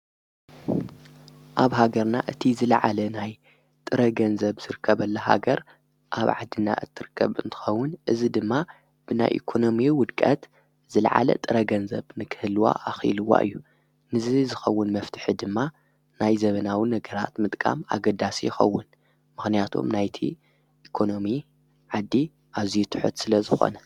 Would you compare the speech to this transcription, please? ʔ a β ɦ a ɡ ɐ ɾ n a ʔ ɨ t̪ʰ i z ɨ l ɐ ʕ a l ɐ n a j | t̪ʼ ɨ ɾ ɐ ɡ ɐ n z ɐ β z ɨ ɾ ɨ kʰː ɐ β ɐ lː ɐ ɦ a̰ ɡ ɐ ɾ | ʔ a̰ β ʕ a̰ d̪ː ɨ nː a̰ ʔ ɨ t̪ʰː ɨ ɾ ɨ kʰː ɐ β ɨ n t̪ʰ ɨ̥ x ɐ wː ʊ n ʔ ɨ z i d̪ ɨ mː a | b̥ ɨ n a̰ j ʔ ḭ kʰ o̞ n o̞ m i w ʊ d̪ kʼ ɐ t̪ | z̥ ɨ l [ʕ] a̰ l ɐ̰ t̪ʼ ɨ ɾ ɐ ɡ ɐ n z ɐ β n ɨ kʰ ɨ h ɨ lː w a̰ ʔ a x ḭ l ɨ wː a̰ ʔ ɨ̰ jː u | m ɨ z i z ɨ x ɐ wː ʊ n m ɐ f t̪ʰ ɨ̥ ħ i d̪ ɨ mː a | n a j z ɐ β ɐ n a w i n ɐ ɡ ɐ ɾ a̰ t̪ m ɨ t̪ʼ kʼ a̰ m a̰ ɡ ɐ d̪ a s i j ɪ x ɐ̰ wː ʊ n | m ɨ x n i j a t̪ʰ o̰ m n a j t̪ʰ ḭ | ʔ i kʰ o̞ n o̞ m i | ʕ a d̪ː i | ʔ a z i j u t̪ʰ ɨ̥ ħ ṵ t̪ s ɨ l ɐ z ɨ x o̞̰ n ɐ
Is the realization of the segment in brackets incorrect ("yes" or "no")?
no